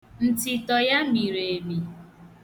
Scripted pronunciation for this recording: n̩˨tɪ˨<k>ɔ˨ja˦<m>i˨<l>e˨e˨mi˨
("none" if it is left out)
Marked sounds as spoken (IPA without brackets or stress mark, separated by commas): t, m, ɾ